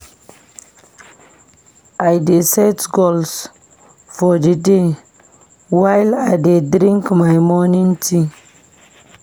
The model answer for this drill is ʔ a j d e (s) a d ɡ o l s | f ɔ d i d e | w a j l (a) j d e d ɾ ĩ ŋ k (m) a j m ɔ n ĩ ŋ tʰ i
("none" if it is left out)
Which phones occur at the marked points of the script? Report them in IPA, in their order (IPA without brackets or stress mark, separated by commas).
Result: s, a, m